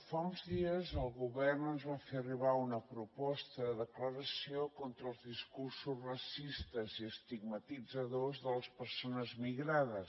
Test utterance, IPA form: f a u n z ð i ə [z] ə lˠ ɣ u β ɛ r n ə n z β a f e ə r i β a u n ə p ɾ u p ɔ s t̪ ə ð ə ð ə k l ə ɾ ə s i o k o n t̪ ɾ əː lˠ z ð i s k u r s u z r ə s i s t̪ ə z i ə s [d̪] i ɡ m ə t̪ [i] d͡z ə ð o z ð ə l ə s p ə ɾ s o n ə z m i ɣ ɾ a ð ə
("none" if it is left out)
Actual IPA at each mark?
z, t̪, i

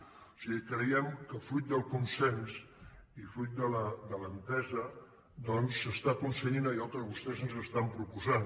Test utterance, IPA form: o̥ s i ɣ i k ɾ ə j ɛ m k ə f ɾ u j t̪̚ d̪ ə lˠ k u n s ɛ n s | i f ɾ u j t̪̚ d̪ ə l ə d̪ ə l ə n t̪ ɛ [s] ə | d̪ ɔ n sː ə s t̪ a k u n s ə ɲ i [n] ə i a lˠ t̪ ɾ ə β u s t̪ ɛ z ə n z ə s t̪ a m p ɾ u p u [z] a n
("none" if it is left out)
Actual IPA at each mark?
z, n, z

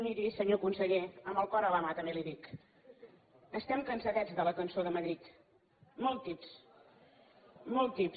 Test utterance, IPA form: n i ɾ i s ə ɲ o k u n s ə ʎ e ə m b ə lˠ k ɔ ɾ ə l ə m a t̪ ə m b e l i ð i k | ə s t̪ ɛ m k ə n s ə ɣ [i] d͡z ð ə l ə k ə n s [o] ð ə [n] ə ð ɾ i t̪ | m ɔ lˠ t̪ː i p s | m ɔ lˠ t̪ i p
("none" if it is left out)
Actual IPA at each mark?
ɛ, o, m

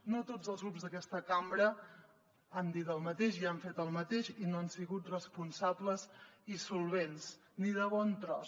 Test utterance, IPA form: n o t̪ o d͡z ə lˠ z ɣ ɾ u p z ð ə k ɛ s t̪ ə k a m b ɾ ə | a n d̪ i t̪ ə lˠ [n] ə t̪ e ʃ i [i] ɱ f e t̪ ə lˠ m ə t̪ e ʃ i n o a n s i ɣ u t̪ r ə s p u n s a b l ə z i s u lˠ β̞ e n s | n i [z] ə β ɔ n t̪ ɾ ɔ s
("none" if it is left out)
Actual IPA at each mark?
m, a, ð

